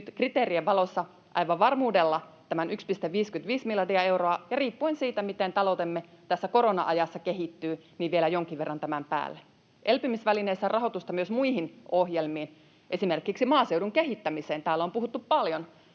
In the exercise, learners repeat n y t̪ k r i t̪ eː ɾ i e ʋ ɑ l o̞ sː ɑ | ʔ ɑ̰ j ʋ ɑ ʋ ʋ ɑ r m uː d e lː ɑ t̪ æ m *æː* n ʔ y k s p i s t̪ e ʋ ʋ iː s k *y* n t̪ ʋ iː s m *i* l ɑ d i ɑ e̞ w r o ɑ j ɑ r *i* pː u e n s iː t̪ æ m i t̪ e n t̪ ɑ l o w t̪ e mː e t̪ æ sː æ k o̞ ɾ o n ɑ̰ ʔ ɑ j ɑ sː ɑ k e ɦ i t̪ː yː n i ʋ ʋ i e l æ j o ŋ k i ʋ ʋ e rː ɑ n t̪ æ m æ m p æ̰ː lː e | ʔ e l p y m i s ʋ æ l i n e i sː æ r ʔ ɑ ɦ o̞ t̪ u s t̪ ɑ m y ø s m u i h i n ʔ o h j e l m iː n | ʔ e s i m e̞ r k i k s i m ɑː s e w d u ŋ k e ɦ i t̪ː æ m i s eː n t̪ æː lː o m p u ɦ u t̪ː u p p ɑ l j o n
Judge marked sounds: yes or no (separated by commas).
no, yes, yes, no